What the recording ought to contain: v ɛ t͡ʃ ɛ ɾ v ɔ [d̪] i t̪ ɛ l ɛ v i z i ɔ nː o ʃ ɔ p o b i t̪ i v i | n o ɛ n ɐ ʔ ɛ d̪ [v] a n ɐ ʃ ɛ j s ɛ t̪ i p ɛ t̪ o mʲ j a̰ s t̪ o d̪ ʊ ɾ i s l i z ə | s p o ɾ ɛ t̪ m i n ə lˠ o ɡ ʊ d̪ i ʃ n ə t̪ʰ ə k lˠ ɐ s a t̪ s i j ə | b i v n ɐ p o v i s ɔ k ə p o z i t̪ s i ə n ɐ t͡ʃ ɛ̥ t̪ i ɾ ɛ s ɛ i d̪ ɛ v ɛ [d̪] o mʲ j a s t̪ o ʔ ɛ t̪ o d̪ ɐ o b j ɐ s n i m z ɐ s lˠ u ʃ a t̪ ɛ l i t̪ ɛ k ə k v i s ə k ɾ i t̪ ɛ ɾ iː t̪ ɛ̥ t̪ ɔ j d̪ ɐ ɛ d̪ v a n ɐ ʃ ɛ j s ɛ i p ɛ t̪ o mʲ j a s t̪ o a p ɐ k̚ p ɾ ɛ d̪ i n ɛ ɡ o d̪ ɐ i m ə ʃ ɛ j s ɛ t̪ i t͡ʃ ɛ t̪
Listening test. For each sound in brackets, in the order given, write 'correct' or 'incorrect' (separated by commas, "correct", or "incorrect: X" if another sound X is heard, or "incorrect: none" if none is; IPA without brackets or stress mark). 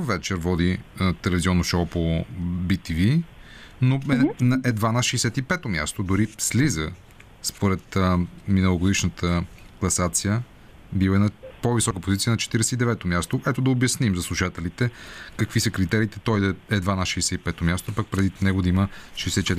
correct, correct, incorrect: t̪